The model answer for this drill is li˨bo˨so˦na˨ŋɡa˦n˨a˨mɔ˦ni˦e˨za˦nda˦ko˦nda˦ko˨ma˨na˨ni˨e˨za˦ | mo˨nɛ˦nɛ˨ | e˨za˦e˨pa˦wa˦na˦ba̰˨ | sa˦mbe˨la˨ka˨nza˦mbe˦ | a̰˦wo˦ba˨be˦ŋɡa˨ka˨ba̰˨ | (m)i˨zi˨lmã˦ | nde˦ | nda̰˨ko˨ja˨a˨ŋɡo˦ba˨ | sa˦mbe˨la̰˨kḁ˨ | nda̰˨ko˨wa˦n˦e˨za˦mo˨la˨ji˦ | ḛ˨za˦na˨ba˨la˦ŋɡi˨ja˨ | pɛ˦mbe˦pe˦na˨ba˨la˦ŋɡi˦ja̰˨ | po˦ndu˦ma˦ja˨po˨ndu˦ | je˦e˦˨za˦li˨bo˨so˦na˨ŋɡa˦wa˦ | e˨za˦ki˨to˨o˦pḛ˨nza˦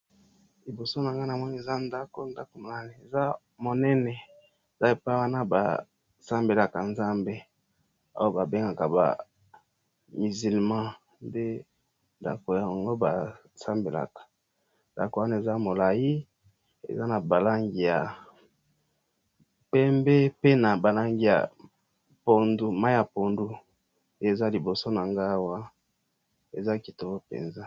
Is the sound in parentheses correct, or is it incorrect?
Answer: correct